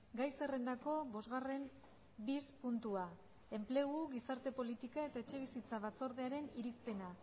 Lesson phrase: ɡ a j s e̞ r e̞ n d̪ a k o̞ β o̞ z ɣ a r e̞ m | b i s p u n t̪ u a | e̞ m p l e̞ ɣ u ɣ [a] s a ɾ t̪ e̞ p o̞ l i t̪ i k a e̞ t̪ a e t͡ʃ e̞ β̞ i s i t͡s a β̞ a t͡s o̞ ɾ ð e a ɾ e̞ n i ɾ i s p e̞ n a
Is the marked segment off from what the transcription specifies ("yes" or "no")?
yes